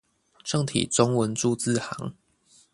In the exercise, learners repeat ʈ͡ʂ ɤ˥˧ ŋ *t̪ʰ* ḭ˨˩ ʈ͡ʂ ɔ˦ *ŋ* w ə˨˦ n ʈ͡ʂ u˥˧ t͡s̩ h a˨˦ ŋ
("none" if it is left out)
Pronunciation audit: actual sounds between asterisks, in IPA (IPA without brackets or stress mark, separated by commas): t̪ʰ, ŋ